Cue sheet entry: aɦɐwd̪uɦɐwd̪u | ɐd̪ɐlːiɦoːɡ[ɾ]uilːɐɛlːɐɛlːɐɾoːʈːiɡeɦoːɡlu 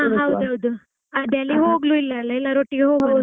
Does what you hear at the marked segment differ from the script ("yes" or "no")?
yes